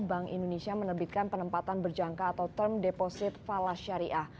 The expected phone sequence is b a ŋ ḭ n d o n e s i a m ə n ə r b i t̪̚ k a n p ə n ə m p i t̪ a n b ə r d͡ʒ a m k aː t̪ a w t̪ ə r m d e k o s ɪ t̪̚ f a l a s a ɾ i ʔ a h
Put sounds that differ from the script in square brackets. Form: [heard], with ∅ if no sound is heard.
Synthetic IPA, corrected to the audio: b a ŋ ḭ n d o n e s i a m ə n ə r b i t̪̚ k a n p ə n ə m p [a] t̪ a n b ə r d͡ʒ a [ŋ] k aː t̪ a w t̪ ə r m d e [p] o s ɪ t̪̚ f a l a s a ɾ i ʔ a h